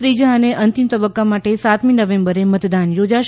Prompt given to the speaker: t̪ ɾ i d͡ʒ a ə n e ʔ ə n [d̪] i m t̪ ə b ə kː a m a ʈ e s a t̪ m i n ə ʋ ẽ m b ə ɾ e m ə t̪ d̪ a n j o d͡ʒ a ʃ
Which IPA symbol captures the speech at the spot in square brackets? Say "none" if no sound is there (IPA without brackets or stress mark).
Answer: t̪